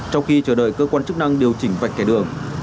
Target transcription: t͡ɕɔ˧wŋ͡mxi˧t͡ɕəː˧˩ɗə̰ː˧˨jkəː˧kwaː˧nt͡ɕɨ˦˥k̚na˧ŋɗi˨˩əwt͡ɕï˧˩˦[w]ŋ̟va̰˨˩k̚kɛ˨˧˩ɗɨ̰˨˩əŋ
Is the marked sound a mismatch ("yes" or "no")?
yes